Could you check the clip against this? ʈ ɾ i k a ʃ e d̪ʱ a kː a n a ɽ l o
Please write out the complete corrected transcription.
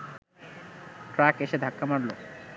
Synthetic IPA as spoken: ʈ ɾ a k e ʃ e d̪ʱ a kː a m a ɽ l o